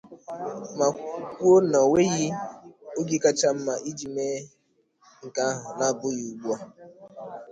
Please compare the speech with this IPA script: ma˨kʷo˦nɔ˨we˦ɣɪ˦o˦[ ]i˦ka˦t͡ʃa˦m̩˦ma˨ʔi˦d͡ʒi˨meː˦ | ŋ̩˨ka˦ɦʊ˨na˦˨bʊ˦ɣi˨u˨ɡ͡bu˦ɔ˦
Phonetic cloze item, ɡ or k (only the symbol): ɡ